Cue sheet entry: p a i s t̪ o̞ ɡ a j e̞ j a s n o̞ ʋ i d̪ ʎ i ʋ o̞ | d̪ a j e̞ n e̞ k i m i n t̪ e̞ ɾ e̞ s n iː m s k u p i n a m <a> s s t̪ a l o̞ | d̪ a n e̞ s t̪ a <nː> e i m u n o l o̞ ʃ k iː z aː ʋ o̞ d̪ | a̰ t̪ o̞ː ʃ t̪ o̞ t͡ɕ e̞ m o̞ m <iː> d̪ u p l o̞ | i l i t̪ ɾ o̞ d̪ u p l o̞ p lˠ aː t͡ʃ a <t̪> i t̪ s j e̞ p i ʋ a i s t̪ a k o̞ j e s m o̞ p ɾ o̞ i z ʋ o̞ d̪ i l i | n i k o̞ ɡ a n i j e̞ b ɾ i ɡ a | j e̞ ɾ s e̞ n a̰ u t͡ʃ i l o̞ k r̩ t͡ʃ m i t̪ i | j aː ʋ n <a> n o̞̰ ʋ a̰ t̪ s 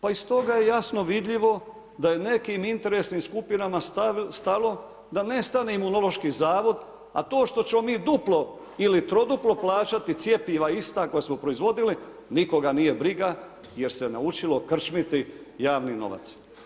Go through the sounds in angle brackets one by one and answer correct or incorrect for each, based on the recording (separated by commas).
correct, incorrect, correct, correct, incorrect